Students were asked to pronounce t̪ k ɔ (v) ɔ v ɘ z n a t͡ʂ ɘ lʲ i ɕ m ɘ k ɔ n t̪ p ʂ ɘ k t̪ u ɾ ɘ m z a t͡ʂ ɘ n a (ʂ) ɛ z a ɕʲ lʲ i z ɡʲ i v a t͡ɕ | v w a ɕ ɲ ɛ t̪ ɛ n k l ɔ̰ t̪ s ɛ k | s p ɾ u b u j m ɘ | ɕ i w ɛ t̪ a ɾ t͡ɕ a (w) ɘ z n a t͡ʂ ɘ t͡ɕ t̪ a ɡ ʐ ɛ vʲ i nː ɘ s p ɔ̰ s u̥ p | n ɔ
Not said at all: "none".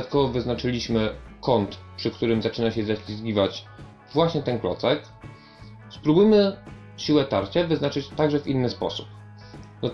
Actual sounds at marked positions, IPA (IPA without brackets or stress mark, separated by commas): v, ɕ, v